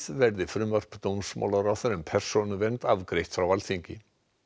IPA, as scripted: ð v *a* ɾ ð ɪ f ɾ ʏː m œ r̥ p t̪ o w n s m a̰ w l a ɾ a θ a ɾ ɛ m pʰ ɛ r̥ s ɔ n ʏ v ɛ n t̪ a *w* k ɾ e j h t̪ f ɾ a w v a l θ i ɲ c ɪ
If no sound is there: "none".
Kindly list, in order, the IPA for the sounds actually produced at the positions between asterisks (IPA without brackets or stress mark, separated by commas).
ɛ, v